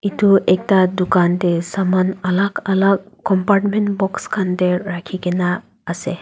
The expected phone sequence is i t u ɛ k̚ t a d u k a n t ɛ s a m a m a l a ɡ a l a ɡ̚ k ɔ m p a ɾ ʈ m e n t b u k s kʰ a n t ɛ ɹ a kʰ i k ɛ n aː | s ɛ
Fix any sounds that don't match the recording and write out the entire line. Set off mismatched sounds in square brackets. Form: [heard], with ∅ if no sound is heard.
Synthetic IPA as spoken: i t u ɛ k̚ t a d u k a n t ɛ s a m a [n] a l a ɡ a l a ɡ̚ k ɔ m p a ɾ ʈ m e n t b [ɔ] k s kʰ a n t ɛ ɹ a kʰ i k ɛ n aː | s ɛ